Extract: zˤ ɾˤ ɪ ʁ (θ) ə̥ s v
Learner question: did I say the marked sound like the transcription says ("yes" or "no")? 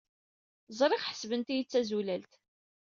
no